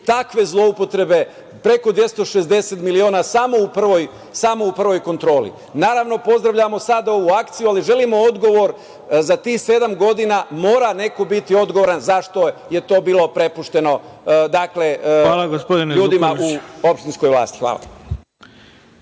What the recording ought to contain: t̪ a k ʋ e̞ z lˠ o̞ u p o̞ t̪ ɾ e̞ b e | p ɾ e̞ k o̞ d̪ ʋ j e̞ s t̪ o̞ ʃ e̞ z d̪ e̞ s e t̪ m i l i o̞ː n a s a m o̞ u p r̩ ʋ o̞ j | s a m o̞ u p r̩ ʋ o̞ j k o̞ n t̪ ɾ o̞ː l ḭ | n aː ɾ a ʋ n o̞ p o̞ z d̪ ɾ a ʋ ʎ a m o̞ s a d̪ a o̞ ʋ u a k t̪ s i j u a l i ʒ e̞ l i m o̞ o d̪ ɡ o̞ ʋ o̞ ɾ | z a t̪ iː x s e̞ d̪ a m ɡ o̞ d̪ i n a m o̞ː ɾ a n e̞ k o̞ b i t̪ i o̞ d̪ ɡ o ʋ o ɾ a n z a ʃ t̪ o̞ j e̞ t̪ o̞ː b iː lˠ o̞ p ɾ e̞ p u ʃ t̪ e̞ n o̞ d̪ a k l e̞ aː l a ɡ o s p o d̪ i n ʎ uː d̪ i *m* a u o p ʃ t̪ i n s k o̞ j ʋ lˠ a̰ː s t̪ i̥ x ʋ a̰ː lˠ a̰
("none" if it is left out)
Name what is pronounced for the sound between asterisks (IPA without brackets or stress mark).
m